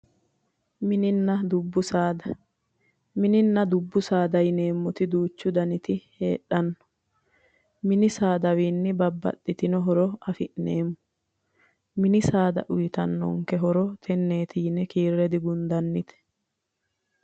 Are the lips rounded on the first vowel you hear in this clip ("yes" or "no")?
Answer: no